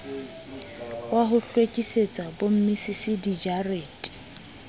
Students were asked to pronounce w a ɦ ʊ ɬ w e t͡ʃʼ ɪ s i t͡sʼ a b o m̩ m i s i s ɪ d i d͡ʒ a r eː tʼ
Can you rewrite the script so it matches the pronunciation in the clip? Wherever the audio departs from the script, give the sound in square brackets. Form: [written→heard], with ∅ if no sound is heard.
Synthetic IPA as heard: w a ɦ ʊ ɬ w e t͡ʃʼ [ɪ→i] s [i→e] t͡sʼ a b o m̩ m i s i s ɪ d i d͡ʒ a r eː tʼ